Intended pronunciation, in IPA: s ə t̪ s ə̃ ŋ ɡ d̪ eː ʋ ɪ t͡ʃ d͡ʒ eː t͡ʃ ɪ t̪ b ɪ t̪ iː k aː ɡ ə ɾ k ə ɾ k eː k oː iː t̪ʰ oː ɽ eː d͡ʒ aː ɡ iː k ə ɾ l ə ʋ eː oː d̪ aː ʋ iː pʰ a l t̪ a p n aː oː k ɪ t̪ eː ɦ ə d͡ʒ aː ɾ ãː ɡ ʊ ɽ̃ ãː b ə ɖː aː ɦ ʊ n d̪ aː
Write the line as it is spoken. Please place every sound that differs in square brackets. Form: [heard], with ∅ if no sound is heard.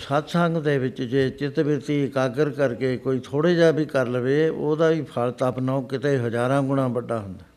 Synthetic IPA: s ə t̪ s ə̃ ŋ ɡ d̪ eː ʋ ɪ t͡ʃ d͡ʒ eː t͡ʃ ɪ t̪ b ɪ t̪ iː k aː ɡ ə ɾ k ə ɾ k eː k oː iː t̪ʰ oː ɽ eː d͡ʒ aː [b] iː k ə ɾ l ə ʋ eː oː d̪ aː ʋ iː pʰ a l t̪ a p n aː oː k ɪ t̪ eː ɦ ə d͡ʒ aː ɾ ãː ɡ ʊ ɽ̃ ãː b ə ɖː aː ɦ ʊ n d̪ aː